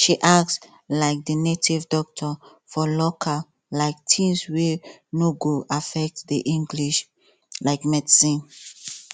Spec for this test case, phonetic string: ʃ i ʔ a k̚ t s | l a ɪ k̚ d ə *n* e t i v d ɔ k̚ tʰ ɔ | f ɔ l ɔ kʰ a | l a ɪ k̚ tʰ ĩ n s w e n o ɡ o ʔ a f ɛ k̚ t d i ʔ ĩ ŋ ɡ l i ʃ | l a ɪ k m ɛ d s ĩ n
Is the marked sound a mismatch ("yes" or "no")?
no